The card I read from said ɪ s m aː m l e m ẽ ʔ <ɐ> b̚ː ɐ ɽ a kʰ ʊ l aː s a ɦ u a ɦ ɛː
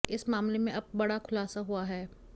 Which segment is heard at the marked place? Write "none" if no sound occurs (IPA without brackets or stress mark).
ɐ